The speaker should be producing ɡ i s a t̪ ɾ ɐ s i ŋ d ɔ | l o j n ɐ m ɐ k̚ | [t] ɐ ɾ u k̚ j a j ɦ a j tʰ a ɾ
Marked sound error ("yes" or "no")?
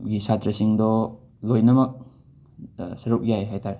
yes